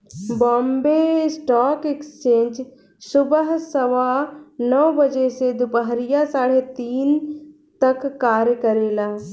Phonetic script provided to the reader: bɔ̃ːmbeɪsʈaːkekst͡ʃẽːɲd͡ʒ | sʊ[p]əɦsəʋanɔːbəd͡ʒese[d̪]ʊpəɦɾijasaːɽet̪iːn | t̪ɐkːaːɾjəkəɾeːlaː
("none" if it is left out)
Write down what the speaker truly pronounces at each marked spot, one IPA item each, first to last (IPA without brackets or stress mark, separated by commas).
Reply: b, d̪